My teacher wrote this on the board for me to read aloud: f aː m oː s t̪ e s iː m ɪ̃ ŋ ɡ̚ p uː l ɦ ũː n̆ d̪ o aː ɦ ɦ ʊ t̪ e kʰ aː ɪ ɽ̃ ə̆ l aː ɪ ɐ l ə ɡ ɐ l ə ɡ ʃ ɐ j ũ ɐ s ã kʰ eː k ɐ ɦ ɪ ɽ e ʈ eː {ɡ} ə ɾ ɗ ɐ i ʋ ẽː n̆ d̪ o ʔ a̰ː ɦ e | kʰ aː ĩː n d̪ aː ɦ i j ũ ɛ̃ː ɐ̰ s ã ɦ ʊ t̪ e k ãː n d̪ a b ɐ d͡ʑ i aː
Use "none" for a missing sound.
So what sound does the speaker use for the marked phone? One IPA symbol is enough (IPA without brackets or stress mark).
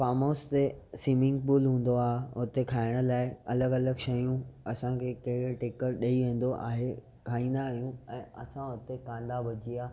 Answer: k